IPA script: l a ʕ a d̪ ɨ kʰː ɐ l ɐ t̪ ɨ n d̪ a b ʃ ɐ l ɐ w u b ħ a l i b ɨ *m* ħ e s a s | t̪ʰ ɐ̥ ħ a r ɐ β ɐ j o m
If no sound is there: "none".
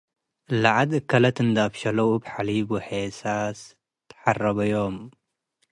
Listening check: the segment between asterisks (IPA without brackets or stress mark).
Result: none